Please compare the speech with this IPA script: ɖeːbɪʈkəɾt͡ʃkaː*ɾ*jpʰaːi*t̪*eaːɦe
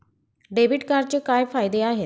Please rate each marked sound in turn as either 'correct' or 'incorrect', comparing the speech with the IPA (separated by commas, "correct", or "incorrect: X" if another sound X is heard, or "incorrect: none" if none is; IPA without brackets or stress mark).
incorrect: none, incorrect: d̪